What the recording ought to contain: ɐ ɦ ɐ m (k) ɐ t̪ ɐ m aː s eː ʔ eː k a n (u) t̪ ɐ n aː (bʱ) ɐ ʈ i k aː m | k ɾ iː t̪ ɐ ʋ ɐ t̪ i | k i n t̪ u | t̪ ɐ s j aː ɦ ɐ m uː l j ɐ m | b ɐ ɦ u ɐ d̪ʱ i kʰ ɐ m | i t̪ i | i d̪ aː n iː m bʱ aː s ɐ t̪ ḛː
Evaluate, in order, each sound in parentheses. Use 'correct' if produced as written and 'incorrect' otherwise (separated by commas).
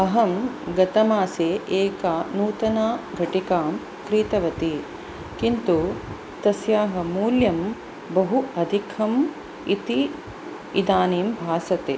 incorrect, incorrect, incorrect